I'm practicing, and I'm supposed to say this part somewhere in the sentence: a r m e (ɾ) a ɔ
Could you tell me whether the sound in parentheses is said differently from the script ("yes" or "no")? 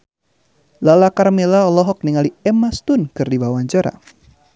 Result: yes